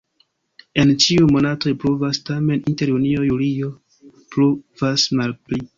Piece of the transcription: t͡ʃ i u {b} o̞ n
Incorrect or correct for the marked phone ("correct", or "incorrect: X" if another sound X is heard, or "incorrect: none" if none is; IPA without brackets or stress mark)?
incorrect: m